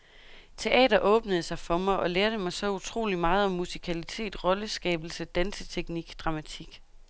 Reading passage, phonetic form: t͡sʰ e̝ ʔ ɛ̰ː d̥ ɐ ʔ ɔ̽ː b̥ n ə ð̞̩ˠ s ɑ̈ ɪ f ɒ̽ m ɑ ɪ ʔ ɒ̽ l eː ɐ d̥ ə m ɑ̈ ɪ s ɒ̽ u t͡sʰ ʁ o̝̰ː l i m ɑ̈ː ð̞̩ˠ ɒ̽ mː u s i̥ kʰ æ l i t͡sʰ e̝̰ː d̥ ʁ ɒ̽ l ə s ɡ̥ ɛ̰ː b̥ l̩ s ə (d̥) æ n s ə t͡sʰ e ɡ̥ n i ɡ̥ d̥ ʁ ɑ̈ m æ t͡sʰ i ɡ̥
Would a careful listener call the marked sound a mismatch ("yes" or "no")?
no